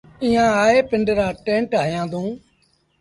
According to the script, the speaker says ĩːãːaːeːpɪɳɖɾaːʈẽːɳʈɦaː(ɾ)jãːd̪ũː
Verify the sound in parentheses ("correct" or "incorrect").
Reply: incorrect